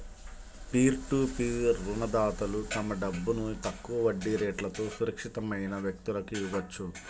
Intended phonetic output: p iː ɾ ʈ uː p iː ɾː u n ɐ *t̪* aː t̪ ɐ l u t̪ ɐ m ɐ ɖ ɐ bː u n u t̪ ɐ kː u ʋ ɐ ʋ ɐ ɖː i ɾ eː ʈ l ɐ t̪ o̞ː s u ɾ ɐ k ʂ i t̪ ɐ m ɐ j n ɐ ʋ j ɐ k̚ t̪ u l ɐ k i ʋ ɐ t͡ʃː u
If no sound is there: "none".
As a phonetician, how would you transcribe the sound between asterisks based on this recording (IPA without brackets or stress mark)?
d̪